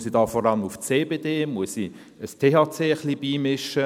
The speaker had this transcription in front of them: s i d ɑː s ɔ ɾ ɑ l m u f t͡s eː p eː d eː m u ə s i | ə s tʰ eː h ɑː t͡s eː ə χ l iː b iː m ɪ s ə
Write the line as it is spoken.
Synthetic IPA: s i d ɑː f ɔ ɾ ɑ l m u f t͡s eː b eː d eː m u ə s i | ə s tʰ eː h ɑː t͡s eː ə χ l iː b iː m ɪ ʃ ə